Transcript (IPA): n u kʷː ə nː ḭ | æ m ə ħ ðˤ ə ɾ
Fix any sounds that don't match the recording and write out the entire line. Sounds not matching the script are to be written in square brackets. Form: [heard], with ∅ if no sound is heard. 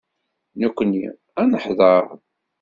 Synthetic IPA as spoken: n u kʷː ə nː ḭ | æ [n] ə ħ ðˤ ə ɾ